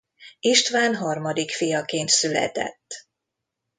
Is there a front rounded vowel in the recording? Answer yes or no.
yes